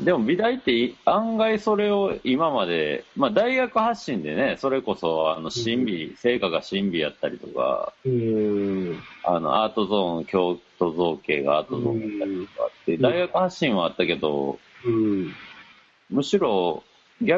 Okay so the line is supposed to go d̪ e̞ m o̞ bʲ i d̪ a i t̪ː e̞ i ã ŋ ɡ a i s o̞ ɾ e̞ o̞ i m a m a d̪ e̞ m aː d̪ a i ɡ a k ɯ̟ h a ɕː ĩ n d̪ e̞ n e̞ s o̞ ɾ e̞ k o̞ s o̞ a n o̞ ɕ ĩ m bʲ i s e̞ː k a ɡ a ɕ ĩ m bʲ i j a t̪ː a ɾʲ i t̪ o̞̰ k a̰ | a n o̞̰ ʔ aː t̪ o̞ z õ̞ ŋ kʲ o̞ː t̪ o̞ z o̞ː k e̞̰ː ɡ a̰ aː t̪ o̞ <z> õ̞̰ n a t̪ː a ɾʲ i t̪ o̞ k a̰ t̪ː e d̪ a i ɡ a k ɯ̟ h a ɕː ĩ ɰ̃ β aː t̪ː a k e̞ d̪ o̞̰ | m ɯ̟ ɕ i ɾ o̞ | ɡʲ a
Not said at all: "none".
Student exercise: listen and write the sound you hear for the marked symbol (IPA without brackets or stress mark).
z